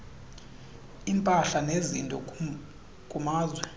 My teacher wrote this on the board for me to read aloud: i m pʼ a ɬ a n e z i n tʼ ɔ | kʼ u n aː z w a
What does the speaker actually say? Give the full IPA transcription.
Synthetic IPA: i m pʼ a ɬ a n e z i n tʼ ɔ | kʼ u m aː z w ɛ